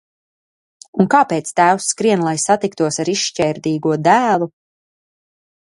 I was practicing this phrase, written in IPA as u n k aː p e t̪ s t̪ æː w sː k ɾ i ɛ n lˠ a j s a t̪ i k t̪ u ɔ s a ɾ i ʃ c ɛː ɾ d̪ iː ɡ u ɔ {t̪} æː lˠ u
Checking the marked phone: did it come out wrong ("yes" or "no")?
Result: yes